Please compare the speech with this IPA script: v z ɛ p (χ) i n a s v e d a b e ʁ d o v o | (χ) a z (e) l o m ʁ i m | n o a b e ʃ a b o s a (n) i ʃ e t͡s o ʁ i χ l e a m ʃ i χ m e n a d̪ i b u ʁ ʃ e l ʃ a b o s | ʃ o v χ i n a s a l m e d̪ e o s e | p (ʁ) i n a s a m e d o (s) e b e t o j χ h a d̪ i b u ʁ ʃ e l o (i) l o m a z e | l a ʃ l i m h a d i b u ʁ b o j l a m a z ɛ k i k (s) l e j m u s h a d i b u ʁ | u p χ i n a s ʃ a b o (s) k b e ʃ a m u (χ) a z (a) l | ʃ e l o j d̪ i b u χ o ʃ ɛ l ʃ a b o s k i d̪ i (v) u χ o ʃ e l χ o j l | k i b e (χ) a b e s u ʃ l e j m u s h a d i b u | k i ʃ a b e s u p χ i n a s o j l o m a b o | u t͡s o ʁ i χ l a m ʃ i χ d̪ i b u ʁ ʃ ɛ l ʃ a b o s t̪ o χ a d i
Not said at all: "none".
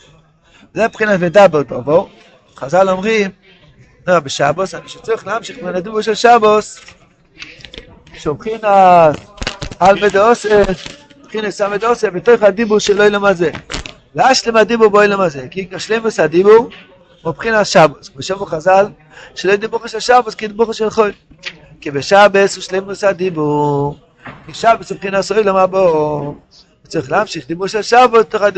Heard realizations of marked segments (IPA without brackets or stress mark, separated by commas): χ, χ, a, n, χ, s, j, ʃ, s, χ, a, b, ʃ